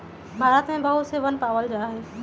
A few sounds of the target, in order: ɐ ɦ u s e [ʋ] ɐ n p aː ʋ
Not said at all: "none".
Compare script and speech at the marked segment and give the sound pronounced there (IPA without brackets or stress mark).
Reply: ʋ